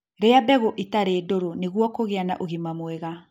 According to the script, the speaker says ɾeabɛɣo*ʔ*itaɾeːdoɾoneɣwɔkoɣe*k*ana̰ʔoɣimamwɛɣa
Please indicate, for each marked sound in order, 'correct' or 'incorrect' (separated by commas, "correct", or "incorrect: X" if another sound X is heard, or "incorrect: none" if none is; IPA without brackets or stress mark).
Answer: correct, incorrect: none